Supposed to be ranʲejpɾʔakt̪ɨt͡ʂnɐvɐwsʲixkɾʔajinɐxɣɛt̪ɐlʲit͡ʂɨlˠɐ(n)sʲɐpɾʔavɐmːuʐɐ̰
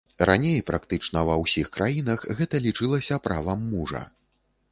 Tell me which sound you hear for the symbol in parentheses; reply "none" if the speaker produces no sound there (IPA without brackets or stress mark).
none